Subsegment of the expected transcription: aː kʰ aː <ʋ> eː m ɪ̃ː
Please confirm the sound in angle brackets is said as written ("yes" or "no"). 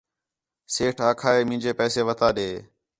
no